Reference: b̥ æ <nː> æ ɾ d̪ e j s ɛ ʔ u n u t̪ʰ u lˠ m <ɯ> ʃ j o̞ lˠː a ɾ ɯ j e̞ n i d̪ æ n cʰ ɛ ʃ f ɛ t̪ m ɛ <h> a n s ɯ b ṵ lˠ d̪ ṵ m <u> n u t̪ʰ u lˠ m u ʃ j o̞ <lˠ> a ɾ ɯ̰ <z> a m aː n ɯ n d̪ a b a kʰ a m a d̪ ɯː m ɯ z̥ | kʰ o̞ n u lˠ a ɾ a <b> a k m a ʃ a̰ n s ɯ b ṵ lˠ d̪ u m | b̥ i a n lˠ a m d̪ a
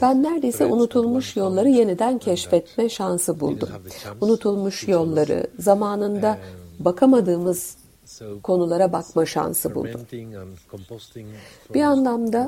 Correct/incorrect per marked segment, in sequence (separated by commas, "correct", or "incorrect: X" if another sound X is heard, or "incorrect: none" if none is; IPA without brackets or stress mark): correct, incorrect: u, incorrect: ʃ, correct, incorrect: lˠː, correct, correct